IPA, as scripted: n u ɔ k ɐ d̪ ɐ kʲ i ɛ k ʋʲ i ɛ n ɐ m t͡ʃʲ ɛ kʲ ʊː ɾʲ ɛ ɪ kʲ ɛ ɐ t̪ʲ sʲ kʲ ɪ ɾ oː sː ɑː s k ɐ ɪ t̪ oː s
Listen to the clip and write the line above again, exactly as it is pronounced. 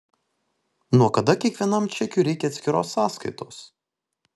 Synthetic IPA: n u ɔ k ɐ d̪ ɐ kʲ i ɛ k ʋʲ i ɛ n ɐ m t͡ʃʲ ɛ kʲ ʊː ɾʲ ɛ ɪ kʲ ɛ ɐ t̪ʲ sʲ kʲ ɪ ɾ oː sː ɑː s k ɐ ɪ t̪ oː s